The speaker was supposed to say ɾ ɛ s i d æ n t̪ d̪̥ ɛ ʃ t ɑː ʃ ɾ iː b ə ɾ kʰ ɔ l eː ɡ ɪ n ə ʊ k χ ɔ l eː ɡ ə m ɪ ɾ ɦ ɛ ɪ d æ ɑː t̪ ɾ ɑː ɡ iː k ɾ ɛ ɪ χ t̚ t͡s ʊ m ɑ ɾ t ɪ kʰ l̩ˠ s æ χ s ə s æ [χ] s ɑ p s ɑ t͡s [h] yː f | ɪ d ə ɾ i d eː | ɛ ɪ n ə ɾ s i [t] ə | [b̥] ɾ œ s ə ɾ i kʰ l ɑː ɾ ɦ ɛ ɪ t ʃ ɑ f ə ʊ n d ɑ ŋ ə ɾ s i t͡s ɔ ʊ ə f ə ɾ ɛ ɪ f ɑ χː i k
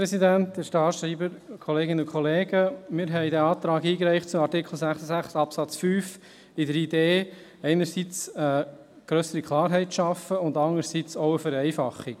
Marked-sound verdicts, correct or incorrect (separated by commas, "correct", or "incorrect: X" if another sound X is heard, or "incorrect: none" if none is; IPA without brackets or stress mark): correct, incorrect: f, incorrect: t͡s, incorrect: ɡ̥